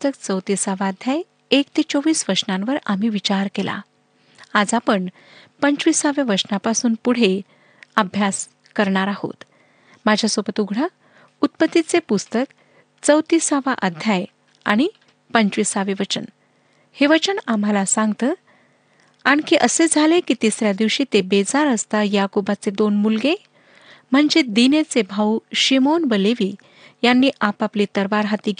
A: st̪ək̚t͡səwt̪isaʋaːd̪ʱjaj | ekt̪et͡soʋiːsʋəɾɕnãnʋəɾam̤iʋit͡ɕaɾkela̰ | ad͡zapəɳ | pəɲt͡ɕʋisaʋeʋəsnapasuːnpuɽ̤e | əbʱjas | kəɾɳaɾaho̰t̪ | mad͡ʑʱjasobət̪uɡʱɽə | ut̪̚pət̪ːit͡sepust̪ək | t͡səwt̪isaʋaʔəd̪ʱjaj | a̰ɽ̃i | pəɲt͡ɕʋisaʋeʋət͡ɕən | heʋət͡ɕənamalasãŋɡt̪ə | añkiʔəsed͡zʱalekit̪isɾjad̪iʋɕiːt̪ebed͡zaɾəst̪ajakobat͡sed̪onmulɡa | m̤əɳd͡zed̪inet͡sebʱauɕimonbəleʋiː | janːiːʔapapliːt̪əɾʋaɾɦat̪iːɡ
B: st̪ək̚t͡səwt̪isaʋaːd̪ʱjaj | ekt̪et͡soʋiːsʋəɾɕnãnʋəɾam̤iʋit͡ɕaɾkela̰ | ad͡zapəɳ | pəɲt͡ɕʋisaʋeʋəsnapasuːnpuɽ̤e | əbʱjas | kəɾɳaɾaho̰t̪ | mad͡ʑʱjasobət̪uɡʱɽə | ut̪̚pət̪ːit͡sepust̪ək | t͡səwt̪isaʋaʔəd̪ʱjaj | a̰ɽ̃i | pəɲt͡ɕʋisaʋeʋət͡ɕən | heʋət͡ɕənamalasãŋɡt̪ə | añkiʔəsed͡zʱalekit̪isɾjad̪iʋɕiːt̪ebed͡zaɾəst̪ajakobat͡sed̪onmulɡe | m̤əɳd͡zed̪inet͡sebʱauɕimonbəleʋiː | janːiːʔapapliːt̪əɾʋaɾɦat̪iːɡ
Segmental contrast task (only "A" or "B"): B